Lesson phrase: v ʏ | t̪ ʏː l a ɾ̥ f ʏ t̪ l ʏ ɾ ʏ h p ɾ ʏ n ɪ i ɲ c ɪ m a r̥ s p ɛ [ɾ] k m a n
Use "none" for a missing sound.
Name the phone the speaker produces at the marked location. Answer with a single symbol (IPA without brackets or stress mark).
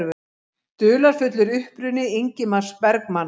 ɾ